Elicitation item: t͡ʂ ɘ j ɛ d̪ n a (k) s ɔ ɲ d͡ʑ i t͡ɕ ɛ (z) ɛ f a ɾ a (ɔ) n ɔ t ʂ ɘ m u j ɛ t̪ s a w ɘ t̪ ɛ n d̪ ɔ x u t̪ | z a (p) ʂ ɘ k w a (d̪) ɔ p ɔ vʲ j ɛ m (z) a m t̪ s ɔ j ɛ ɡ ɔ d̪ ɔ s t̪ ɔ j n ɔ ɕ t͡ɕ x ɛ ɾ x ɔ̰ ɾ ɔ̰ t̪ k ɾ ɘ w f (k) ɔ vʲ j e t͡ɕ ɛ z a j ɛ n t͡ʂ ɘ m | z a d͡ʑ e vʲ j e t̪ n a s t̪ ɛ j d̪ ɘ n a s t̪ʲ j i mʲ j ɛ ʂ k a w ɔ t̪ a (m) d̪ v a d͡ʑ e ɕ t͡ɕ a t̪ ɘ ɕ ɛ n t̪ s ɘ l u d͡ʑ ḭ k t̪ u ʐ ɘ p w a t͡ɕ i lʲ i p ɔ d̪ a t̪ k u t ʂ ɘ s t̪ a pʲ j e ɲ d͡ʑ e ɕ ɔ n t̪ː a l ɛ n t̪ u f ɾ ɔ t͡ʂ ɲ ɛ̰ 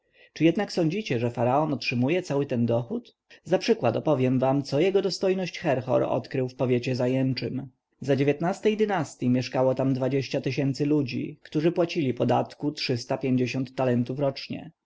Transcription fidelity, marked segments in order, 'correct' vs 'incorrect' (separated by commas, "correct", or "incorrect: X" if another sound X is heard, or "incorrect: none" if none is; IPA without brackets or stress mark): correct, incorrect: ʐ, correct, correct, incorrect: t̪, incorrect: v, incorrect: p, correct